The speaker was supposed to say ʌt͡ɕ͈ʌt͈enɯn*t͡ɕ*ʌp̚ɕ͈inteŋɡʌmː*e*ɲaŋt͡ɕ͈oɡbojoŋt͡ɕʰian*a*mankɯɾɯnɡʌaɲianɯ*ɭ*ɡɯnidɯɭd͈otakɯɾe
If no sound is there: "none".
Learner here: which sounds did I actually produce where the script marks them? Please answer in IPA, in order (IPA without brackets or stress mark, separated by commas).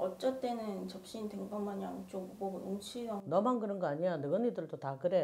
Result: t͡ɕ, a, ʌ, none